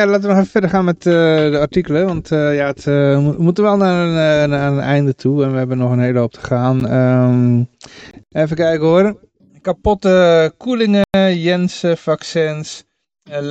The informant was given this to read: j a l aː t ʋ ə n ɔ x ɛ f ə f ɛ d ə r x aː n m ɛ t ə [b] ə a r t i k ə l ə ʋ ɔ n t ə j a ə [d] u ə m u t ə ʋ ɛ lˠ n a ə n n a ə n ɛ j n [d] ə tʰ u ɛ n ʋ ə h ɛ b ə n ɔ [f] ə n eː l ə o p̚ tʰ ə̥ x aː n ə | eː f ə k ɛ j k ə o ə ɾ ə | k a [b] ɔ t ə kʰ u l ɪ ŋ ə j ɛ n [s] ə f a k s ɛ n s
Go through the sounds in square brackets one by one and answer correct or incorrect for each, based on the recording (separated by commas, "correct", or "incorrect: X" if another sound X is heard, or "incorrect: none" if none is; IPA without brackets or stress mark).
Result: incorrect: d, incorrect: t, correct, incorrect: x, incorrect: p, correct